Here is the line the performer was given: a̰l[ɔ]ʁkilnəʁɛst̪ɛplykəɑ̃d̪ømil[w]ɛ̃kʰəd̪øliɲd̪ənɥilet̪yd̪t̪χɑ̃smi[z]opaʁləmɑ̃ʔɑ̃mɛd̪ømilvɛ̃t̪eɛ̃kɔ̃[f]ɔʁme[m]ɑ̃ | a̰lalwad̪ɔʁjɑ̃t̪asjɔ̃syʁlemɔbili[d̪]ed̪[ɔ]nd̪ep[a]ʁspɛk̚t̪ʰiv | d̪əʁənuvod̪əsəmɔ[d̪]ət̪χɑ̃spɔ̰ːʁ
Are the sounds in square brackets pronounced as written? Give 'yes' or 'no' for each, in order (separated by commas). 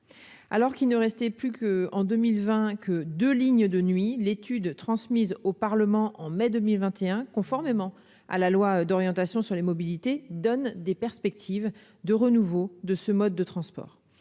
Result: yes, no, yes, yes, yes, no, yes, no, no